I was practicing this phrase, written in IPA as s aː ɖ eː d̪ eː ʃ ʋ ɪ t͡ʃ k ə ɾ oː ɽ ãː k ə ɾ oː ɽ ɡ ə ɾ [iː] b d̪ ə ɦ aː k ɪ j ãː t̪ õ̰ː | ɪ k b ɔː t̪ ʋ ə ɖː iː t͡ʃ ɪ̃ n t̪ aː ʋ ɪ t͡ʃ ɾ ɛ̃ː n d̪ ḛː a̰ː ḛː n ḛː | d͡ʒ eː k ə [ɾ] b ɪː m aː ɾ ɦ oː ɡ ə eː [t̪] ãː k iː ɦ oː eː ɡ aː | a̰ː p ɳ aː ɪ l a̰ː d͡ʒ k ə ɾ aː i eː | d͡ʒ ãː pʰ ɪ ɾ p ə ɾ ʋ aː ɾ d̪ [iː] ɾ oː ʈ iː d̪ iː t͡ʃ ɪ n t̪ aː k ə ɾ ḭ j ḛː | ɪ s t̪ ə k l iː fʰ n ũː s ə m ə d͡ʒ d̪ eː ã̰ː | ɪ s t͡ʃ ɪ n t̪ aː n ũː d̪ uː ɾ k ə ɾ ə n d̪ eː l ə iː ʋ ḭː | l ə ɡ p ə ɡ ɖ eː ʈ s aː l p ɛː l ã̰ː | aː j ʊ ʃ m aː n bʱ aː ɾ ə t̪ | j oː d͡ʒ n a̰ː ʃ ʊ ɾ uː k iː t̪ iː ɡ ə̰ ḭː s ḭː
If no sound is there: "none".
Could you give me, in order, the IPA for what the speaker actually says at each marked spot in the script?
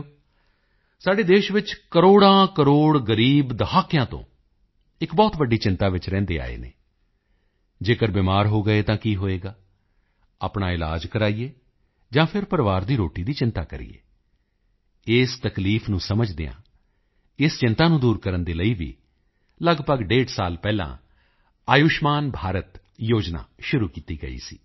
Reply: iː, ɾ, t̪, iː

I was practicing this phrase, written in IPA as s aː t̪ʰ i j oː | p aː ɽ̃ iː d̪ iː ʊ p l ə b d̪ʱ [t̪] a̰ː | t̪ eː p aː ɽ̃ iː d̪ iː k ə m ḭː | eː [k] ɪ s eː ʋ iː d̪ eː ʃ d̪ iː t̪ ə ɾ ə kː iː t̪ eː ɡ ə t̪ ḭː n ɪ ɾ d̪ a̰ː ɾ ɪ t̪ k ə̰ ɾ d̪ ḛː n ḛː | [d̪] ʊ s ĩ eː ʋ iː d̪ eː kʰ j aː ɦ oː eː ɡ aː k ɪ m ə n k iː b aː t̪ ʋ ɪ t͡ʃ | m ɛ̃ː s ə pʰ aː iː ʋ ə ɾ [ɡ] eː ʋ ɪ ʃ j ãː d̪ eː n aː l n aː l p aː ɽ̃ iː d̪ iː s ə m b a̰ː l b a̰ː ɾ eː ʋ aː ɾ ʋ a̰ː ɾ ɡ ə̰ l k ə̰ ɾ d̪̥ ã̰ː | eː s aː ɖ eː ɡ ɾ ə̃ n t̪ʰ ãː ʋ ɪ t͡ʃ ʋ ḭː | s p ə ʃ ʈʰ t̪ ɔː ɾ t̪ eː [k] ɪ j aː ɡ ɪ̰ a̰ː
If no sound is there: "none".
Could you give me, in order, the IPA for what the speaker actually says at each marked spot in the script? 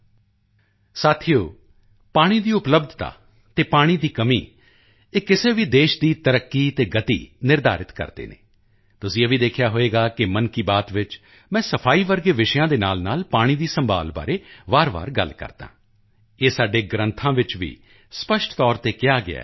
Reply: t̪, k, t̪, ɡ, k

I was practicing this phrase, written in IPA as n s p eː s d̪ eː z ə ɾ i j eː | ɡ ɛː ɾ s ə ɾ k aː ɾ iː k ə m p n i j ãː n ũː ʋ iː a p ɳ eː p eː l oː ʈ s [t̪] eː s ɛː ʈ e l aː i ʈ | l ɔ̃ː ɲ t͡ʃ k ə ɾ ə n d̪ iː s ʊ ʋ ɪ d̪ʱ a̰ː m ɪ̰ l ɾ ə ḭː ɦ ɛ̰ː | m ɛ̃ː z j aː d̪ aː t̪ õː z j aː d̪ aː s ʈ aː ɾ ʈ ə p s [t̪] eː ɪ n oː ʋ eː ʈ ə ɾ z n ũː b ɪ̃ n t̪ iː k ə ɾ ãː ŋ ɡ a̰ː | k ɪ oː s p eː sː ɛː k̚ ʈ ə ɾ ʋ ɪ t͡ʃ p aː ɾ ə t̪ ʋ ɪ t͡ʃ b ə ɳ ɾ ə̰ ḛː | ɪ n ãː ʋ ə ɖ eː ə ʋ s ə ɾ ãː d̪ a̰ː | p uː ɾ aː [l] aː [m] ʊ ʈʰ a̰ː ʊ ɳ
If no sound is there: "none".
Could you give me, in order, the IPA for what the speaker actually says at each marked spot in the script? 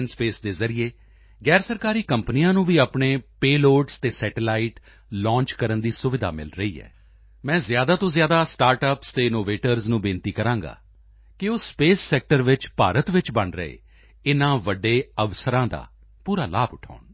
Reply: t̪, t̪, l, b

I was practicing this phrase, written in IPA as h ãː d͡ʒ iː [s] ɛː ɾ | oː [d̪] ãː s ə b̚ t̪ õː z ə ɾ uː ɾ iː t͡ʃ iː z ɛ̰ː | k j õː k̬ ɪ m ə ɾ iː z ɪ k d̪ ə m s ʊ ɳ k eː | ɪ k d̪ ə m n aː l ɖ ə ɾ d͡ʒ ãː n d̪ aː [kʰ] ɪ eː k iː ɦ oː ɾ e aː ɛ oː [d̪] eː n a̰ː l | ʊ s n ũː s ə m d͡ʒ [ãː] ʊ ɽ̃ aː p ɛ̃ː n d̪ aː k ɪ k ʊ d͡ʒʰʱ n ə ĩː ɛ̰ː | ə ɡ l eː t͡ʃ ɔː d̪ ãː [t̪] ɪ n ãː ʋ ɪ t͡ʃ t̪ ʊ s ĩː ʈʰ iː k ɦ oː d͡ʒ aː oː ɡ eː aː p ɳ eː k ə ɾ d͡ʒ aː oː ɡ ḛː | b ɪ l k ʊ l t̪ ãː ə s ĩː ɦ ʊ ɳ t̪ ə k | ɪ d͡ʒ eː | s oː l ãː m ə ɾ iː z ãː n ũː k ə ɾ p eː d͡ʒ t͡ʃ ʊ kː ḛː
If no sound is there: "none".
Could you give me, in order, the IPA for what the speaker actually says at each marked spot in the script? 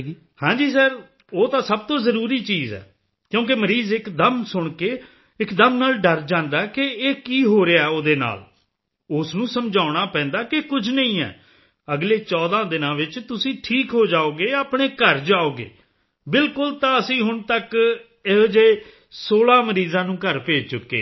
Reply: s, t̪, k, d̪, aː, d̪

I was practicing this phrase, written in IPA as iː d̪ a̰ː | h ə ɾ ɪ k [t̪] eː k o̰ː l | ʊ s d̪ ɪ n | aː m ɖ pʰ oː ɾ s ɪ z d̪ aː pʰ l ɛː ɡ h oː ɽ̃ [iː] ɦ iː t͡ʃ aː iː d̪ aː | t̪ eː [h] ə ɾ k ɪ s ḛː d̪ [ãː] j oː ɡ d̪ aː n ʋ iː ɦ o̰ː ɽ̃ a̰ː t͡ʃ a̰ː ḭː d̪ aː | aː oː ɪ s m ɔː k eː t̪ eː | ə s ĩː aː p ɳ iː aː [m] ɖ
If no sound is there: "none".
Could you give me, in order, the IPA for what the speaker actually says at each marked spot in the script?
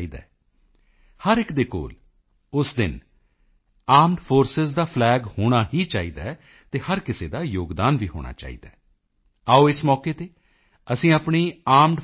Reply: d̪, aː, h, aː, m

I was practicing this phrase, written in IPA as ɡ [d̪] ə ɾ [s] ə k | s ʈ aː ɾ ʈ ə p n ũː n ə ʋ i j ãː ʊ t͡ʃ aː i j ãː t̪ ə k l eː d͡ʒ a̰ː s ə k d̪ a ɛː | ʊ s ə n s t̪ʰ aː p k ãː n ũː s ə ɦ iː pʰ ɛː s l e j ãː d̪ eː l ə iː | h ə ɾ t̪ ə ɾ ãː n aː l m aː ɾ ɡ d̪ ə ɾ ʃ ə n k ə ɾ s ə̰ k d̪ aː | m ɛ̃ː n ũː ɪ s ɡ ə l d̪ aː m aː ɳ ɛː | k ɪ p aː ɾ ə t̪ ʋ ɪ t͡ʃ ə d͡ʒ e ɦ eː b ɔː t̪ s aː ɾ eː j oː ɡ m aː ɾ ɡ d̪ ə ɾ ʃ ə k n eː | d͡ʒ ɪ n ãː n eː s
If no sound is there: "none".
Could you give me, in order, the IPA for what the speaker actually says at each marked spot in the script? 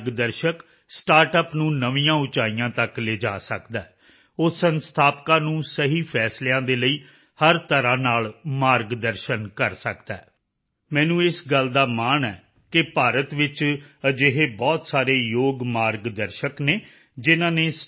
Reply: d̪, ʃ

